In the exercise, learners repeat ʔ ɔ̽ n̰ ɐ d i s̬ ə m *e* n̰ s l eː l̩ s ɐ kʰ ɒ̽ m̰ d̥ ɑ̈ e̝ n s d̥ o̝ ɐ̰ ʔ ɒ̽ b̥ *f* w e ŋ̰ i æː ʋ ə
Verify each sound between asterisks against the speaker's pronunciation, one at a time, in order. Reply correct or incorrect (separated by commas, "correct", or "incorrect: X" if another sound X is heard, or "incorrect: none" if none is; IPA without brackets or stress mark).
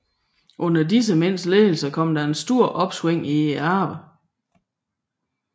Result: correct, incorrect: s